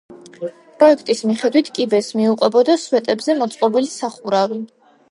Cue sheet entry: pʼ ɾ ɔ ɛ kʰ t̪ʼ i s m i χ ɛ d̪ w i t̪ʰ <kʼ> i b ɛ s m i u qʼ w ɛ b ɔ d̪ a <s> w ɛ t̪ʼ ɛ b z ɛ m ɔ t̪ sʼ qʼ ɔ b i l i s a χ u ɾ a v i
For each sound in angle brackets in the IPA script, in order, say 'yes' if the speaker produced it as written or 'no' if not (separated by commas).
yes, yes